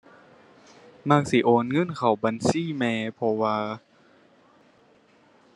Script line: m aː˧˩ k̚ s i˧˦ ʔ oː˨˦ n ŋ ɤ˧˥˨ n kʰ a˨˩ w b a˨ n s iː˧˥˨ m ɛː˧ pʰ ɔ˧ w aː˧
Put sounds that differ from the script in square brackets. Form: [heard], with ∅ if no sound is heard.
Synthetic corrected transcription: m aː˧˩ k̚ s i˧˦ ʔ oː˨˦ n ŋ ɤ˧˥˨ n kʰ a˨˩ w b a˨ n s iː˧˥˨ m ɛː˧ pʰ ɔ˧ w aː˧